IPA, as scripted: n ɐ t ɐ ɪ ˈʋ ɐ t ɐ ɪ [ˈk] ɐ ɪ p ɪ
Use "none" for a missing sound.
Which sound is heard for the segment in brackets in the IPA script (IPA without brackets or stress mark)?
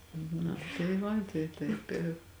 t